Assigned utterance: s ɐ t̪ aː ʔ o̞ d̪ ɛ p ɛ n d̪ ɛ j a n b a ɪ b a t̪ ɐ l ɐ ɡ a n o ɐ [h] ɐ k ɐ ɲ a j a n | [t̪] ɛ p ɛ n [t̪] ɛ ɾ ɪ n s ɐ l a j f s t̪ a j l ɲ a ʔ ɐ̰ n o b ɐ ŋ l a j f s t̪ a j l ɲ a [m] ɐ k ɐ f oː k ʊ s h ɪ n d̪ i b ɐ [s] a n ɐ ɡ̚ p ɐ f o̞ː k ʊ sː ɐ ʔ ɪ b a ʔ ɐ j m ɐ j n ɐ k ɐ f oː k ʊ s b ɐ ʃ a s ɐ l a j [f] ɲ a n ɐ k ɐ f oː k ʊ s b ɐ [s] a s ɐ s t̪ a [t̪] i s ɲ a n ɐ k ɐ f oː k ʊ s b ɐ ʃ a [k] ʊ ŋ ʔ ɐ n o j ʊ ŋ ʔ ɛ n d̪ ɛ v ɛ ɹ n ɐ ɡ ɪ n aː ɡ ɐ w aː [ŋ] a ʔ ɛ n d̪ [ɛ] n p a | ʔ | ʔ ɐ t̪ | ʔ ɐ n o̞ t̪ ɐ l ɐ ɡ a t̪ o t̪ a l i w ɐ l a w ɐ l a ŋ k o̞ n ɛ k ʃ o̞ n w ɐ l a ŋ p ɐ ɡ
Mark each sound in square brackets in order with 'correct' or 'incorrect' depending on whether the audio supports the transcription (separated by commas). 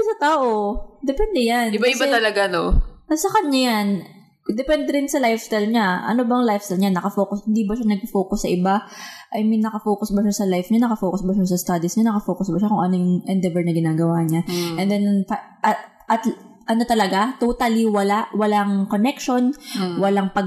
incorrect, incorrect, incorrect, incorrect, incorrect, correct, incorrect, incorrect, correct, incorrect, correct